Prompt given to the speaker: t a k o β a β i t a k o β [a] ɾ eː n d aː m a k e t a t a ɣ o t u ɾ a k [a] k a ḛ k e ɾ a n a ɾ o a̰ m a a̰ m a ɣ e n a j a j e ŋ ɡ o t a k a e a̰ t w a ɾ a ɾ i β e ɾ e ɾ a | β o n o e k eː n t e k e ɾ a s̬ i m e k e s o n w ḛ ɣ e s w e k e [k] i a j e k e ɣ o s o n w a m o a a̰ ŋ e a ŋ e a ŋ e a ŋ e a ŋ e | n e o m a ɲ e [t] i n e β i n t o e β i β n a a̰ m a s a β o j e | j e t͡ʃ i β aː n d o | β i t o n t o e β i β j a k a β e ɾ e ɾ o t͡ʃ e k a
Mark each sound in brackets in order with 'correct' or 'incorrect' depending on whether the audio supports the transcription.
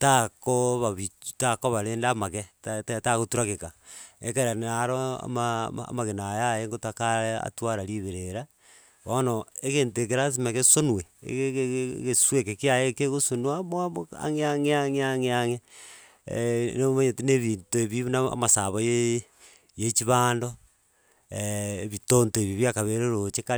correct, incorrect, correct, correct

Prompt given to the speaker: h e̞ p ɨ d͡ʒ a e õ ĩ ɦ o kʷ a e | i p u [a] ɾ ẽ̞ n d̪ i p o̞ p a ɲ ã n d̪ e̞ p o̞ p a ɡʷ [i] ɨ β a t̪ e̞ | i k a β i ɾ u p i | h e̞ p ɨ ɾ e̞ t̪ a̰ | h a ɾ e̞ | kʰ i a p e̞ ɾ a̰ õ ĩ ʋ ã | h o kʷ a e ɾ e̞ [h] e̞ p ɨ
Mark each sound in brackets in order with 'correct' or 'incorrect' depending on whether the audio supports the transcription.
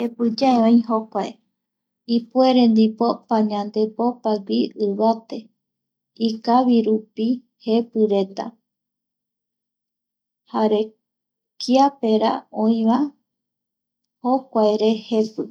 incorrect, correct, correct

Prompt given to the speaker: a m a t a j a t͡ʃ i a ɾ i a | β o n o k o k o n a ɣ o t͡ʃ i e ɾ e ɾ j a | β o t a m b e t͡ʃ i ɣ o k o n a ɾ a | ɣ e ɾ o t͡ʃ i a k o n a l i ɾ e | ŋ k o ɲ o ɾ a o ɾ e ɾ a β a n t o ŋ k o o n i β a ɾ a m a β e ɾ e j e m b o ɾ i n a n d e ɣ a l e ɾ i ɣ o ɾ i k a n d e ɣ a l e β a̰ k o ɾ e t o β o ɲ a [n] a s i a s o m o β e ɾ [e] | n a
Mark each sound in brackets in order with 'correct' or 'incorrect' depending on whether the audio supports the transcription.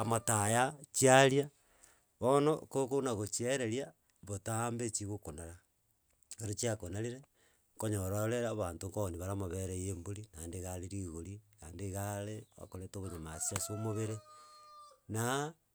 incorrect, correct

